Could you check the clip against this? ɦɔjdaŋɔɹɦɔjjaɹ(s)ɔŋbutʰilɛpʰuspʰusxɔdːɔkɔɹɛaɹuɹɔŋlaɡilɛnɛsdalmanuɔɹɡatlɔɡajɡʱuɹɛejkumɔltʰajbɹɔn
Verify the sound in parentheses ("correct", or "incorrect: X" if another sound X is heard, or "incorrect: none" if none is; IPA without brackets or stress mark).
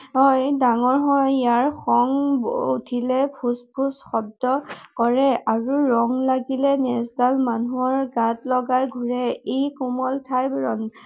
incorrect: x